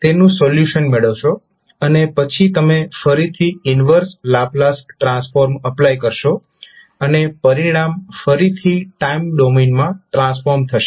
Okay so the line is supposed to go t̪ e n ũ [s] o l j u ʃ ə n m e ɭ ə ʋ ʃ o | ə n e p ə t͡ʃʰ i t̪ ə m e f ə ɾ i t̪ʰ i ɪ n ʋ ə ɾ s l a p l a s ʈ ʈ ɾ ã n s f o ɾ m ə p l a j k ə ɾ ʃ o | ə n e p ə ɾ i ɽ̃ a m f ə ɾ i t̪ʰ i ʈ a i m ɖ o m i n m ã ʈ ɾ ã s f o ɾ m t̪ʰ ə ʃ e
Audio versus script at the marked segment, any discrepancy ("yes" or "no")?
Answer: no